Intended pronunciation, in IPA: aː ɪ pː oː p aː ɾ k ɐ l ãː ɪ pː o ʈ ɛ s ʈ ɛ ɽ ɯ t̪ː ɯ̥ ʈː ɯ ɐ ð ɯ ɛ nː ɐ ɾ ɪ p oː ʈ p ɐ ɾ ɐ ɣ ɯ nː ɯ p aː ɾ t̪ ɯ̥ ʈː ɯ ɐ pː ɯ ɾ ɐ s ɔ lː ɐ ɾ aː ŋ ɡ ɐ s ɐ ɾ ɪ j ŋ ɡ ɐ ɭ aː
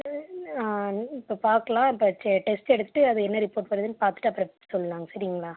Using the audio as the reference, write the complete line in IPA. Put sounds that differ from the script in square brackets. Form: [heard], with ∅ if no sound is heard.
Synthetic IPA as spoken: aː ɪ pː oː p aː ɾ k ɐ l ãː ɪ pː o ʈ ɛ s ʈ ɛ ɽ ɯ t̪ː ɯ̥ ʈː ɯ ɐ ð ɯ ɛ nː ɐ ɾ ɪ p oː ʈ p ɐ ɾ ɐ [ð] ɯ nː ɯ p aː ɾ t̪ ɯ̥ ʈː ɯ ɐ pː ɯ ɾ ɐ s ɔ lː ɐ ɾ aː ŋ ɡ ɐ s ɐ ɾ ɪ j ŋ ɡ ɐ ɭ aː

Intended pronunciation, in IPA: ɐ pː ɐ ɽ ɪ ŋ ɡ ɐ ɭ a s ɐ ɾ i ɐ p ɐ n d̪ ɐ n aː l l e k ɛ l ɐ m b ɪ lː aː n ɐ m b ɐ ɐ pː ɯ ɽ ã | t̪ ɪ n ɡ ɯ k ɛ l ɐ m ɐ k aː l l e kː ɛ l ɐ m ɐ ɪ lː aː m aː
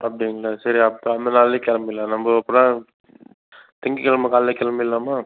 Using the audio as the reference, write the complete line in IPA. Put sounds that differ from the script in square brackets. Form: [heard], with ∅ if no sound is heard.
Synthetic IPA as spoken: ɐ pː ɐ ɽ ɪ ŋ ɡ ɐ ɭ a s ɐ ɾ i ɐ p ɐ n d̪ ɐ n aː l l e k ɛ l ɐ m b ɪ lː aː n ɐ m b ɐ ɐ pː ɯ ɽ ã | t̪ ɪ [ŋ] ɡ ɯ k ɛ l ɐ m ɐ k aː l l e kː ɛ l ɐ m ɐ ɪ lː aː m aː

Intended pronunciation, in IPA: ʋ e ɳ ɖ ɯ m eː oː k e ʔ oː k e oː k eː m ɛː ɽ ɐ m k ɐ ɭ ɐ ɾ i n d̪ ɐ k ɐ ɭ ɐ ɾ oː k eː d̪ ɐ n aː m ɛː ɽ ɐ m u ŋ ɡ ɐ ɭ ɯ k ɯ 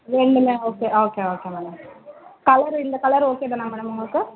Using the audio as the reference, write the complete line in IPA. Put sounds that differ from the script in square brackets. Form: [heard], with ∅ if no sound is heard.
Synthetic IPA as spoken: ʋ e ɳ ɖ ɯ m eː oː k e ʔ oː k e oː k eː m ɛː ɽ ɐ m k ɐ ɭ ɐ ɾ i n d̪ ɐ k ɐ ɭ ɐ ɾ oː k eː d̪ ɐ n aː m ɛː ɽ ɐ m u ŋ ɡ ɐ ɭ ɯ k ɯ

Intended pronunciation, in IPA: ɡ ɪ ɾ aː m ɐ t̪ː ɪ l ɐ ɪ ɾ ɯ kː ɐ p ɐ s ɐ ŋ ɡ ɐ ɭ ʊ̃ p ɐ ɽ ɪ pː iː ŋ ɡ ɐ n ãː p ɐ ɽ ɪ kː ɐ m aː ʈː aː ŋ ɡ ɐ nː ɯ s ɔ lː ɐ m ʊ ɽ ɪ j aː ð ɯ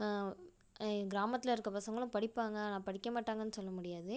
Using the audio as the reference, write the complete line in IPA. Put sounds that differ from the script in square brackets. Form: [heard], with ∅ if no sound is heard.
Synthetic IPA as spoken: ɡ ɪ ɾ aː m ɐ t̪ː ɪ l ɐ ɪ ɾ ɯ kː ɐ p ɐ s ɐ ŋ ɡ ɐ ɭ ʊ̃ p ɐ ɽ ɪ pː [aː] ŋ ɡ ɐ n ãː p ɐ ɽ ɪ kː ɐ m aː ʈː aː ŋ ɡ ɐ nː ɯ s ɔ lː ɐ m ʊ ɽ ɪ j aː ð ɯ

